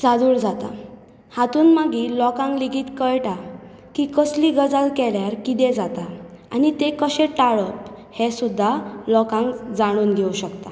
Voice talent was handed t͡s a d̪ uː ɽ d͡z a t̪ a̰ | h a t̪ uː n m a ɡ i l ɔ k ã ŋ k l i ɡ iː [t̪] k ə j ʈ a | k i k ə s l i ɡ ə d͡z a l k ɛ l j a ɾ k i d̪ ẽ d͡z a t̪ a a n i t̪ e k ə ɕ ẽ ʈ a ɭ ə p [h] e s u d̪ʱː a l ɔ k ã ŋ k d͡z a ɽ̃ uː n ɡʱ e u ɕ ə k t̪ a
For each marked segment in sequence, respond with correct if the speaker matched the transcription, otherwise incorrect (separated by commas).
correct, correct